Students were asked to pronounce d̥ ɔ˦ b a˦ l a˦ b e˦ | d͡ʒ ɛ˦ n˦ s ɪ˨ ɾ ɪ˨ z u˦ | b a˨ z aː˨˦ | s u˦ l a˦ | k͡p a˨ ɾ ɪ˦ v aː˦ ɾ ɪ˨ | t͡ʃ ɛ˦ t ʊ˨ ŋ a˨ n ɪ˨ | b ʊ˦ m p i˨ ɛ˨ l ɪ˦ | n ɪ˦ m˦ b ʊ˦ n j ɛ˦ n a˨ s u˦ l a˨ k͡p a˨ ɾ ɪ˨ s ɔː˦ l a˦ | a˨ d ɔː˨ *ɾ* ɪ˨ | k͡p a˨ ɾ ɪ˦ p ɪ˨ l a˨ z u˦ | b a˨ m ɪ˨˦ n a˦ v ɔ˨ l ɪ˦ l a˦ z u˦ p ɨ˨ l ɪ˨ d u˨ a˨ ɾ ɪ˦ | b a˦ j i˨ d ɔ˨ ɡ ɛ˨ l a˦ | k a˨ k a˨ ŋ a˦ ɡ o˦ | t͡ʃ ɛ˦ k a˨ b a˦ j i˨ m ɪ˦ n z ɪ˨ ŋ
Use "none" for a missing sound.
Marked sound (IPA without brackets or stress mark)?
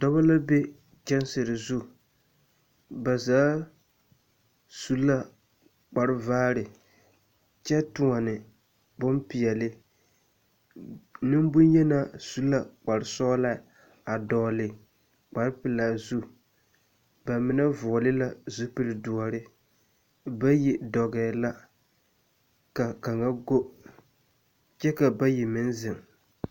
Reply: l